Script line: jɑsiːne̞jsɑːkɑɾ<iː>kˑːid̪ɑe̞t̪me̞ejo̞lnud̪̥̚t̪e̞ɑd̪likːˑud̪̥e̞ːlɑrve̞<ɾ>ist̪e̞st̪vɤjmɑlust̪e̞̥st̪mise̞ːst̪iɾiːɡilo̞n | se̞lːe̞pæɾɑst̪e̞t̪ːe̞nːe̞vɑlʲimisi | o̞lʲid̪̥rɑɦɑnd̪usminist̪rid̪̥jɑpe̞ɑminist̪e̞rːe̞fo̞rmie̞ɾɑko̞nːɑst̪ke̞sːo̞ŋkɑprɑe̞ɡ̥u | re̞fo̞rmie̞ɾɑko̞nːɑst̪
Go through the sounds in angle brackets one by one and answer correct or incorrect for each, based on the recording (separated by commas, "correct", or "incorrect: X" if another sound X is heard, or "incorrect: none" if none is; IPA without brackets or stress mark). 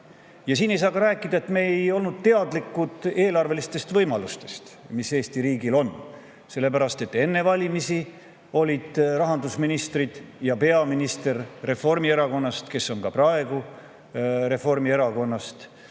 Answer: incorrect: æː, incorrect: l